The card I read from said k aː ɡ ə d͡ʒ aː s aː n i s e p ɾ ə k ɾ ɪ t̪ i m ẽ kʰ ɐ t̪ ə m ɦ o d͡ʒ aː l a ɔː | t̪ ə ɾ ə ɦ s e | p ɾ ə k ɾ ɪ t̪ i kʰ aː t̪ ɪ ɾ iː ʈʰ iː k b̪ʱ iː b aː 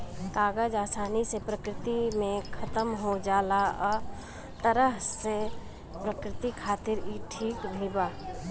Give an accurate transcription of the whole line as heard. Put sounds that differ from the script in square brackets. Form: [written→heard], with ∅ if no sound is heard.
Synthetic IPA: k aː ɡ ə d͡ʒ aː s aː n i s e p ɾ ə k ɾ ɪ t̪ i m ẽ kʰ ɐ t̪ ə m ɦ o d͡ʒ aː l a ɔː | t̪ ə ɾ ə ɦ s e | p ɾ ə k ɾ ɪ t̪ i kʰ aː t̪ ɪ ɾ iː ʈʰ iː k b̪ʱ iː b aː